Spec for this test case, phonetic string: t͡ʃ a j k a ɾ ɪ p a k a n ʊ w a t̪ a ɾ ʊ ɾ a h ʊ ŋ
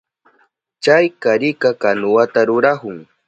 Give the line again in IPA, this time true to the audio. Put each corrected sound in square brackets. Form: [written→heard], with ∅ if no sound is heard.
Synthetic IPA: t͡ʃ a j k a ɾ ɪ [p→k] a k a n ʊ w a t̪ a ɾ ʊ ɾ a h ʊ ŋ